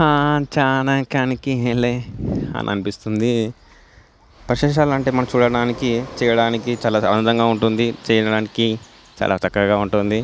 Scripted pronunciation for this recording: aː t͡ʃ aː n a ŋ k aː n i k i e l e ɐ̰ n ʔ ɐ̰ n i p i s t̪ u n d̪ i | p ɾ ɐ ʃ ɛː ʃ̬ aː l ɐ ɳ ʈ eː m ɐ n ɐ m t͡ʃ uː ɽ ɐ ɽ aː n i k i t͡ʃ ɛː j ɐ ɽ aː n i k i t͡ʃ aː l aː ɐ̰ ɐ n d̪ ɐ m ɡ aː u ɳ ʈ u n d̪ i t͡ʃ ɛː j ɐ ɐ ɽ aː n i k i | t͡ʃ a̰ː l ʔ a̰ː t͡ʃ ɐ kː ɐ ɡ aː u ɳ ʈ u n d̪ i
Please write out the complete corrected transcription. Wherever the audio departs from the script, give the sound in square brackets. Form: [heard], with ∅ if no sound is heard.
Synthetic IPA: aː t͡ʃ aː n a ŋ k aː n i k i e l e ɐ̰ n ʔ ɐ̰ n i p i s t̪ u n d̪ i | p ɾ ɐ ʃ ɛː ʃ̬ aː l ɐ ɳ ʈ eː m ɐ n ɐ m t͡ʃ uː ɽ ɐ ɽ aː n i k i t͡ʃ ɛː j ɐ ɽ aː n i k i t͡ʃ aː l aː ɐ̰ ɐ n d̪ ɐ [ŋ] ɡ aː u ɳ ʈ u n d̪ i t͡ʃ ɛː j ɐ ɐ ɽ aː n i k i | t͡ʃ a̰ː l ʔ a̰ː t͡ʃ ɐ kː ɐ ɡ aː u ɳ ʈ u n d̪ i

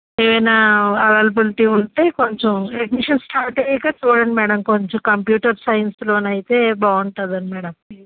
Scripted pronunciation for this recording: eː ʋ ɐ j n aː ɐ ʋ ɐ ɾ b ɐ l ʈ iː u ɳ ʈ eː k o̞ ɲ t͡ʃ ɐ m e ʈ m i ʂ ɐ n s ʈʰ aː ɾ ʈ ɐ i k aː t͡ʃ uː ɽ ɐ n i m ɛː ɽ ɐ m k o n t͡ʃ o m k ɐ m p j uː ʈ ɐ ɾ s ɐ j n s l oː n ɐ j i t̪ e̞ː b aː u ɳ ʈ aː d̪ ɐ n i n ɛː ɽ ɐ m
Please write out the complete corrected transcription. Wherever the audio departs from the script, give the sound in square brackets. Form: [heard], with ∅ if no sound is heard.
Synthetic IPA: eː ʋ ɐ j n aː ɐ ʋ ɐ [l] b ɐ l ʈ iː u ɳ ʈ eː k o̞ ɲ t͡ʃ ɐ m e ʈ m i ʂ ɐ n s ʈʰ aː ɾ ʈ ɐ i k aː t͡ʃ uː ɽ ɐ n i m ɛː ɽ ɐ m k o [ɲ] t͡ʃ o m k ɐ m p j uː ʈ ɐ ɾ s ɐ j n s l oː n ɐ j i t̪ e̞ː b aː u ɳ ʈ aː d̪ ɐ n i [m] ɛː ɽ ɐ m

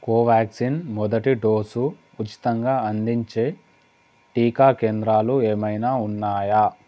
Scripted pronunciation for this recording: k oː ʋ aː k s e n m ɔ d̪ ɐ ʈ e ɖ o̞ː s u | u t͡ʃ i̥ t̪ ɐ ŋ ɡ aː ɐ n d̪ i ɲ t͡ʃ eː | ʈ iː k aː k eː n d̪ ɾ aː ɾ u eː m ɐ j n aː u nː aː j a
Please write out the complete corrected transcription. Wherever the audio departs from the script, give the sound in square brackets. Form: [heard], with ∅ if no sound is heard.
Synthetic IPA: k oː ʋ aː k s [i] n m ɔ d̪ ɐ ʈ [i] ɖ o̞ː s u | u t͡ʃ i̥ t̪ ɐ ŋ ɡ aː ɐ n d̪ i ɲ t͡ʃ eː | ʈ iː k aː k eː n d̪ ɾ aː [l] u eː m ɐ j n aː u nː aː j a

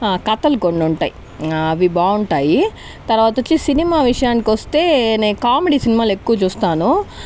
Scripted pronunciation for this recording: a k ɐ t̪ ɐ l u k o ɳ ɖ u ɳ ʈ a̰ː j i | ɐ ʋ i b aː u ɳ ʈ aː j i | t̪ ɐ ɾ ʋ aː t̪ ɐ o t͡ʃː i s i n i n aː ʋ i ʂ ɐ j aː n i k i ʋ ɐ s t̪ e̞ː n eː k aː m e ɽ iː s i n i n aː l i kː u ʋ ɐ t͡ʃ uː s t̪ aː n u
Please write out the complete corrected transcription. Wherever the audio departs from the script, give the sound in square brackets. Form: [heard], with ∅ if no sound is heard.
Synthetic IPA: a k ɐ t̪ ɐ l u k o ɳ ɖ u ɳ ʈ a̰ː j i | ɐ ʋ i b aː u ɳ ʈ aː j i | t̪ ɐ ɾ ʋ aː t̪ ɐ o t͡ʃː i s i n i [m] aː ʋ i ʂ ɐ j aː n i k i ʋ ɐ s t̪ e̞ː n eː k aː m e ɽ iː s i n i [m] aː l [e] kː u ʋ ɐ t͡ʃ uː s t̪ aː n u

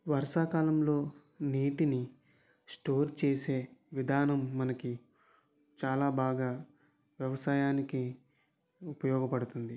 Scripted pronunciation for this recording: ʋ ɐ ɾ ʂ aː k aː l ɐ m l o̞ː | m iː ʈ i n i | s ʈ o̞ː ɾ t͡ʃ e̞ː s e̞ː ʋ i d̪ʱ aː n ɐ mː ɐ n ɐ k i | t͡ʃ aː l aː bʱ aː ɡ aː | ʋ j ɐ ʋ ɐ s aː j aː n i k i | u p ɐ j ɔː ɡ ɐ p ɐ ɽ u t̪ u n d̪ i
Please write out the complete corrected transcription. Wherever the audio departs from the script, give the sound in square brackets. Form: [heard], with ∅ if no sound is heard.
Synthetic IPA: ʋ ɐ ɾ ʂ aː k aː l ɐ m l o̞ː | [n] iː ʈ i n i | s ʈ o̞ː ɾ t͡ʃ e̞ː s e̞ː ʋ i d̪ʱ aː n ɐ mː ɐ n ɐ k i | t͡ʃ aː l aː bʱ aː ɡ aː | ʋ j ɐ ʋ ɐ s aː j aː n i k i | u p ɐ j ɔː ɡ ɐ p ɐ ɽ u t̪ u n d̪ i

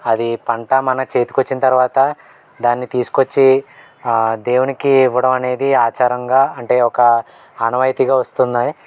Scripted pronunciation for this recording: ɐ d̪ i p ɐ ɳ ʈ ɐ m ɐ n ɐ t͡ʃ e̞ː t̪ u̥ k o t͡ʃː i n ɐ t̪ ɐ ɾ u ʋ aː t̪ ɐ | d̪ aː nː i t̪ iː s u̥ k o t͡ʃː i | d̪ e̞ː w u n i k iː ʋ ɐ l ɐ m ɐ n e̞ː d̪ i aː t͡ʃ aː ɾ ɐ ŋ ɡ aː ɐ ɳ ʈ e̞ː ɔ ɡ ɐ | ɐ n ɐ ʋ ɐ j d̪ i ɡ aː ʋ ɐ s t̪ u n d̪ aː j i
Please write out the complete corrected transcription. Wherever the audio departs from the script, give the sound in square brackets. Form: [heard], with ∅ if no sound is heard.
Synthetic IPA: ɐ d̪ i p ɐ ɳ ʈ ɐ m ɐ n ɐ t͡ʃ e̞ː t̪ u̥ k o t͡ʃː i n ɐ t̪ ɐ ɾ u ʋ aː t̪ ɐ | d̪ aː nː i t̪ iː s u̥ k o t͡ʃː i | d̪ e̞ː w u n i k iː ʋ ɐ [ɽ] ɐ m ɐ n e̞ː d̪ i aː t͡ʃ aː ɾ ɐ ŋ ɡ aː ɐ ɳ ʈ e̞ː ɔ [k] ɐ | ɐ n ɐ ʋ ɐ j [t̪] i ɡ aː ʋ ɐ s t̪ u n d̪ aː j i

